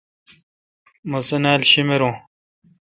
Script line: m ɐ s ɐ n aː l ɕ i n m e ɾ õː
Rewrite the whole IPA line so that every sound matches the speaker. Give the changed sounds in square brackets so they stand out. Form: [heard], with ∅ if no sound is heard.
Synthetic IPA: m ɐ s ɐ n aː l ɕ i [∅] m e ɾ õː